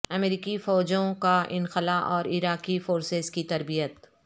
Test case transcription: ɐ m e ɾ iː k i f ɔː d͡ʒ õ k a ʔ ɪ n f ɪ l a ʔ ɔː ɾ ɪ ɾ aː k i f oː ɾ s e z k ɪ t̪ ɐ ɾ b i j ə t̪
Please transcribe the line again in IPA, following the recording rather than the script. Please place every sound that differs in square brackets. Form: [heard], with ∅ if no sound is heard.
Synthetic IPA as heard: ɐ m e ɾ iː k i f ɔː d͡ʒ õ k a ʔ ɪ n [x] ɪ l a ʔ ɔː ɾ ɪ ɾ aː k i f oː ɾ s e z k [i] t̪ ɐ ɾ b i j ə t̪